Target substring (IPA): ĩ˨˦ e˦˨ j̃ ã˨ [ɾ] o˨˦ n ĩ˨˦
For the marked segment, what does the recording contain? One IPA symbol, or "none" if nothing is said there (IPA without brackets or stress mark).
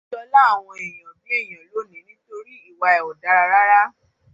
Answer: l